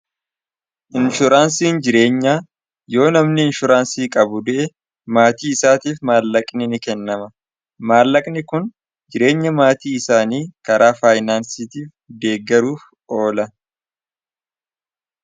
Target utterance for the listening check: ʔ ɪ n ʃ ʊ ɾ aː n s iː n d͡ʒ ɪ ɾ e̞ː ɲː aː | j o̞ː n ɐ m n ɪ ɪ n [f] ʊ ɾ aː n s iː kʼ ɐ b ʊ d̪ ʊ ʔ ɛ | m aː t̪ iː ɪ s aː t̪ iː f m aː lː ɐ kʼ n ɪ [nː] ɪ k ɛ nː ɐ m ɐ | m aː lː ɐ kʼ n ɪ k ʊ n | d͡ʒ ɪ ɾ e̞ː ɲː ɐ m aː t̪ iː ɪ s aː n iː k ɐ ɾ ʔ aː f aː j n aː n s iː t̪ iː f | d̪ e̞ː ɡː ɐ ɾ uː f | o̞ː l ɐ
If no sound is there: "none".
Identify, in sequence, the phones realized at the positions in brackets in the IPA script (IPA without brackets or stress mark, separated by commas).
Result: ʃ, n